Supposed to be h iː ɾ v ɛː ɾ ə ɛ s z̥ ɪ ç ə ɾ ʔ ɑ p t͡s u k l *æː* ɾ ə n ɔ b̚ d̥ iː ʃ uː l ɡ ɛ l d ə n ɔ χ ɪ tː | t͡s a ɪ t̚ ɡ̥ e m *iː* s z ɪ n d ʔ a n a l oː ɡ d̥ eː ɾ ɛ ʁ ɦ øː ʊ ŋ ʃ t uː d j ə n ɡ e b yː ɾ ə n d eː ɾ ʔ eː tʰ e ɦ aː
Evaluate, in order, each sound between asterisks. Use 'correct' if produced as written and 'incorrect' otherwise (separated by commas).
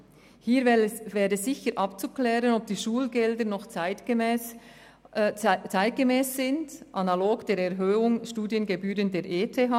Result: incorrect, incorrect